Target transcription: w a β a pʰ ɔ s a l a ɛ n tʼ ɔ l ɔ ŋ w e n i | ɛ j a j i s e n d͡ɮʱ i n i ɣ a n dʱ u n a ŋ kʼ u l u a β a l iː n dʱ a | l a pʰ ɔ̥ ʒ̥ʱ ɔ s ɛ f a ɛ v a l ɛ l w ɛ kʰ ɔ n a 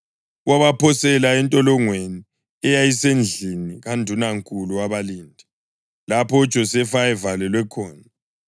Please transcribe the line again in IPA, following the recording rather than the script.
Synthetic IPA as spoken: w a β a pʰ ɔ s ɛ l a ɛ n tʼ ɔ l ɔ ŋ w e n i | ɛ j a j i s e n d͡ɮʱ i n i ɣ a n dʱ u n a ŋ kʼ u l u a β a l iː n dʱ i | l a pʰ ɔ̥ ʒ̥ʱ ɔ s ɛ f a ɛ v a l ɛ l w ɛ kʰ ɔː n a